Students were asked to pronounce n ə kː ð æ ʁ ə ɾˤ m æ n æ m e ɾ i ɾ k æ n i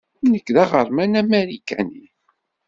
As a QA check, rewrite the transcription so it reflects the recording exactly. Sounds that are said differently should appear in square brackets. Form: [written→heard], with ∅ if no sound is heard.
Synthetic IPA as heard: n ə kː ð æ ʁ ə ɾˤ m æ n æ m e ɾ i [ɾ→∅] k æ n i